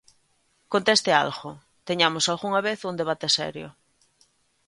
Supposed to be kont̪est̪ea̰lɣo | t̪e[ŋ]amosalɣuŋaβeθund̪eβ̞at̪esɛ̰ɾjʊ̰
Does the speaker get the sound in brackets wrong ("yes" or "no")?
yes